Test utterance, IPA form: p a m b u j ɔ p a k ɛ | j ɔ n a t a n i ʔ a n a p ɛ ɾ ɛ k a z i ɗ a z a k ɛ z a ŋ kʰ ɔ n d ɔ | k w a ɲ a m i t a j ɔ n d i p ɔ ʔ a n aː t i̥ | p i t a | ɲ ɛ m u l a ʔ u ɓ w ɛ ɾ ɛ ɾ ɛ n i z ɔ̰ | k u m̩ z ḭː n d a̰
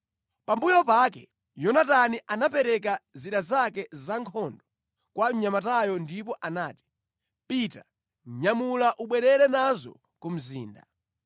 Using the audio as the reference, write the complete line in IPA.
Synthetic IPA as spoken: p a m b u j ɔ p a k ɛ | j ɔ n a t a n i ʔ a n a p ɛ ɾ ɛ k a z i ɗ a z a k ɛ z a ŋ kʰ ɔ n d ɔ | k w a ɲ a m a t a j ɔ n d i p ɔ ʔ a n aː t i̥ | p i t a | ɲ a m u l a ʔ u ɓ w ɛ ɾ ɛ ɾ ɛ n a z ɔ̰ | k u m̩ z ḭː n d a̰